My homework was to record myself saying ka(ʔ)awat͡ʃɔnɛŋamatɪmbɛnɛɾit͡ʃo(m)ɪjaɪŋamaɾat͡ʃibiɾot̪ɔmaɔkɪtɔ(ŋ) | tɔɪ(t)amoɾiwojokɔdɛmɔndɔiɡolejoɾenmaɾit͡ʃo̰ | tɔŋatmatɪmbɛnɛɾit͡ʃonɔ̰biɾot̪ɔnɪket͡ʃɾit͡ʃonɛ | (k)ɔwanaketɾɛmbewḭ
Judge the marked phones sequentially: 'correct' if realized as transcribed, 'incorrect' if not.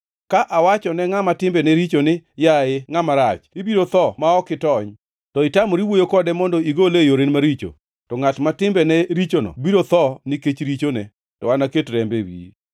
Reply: correct, incorrect, incorrect, correct, incorrect

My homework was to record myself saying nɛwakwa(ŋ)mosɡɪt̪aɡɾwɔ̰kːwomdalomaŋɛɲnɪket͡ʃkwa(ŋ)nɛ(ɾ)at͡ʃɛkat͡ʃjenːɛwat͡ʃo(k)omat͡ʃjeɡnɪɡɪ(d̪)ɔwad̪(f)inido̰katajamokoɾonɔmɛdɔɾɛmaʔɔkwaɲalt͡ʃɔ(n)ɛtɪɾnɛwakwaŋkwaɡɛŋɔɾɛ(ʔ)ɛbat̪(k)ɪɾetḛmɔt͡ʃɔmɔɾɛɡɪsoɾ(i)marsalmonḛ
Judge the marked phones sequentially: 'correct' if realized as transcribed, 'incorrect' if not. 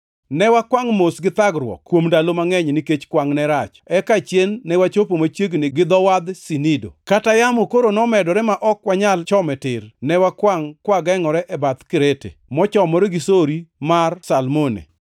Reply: correct, correct, correct, incorrect, correct, incorrect, incorrect, correct, correct, correct

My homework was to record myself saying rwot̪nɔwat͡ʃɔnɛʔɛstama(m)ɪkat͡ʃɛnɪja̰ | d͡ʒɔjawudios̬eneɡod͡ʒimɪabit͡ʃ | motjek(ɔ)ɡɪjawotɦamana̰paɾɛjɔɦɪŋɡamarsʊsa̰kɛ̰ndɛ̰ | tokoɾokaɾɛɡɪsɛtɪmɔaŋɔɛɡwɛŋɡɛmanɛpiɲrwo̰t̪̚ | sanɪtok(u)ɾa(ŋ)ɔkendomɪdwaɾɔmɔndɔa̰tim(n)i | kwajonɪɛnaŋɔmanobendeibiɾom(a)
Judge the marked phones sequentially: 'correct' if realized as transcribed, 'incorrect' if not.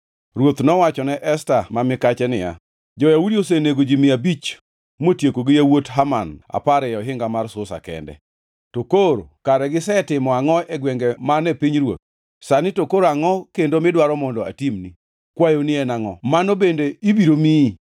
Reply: correct, incorrect, incorrect, correct, correct, incorrect

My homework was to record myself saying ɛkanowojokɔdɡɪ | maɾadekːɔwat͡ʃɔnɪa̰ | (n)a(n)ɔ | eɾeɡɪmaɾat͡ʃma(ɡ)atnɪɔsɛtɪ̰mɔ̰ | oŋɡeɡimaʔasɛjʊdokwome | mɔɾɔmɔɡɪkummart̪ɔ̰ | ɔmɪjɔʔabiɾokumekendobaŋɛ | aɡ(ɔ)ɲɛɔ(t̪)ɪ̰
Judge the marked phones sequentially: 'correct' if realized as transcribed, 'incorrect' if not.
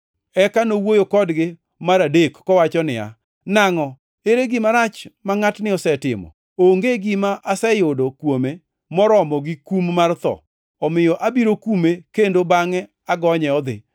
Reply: correct, incorrect, incorrect, correct, incorrect

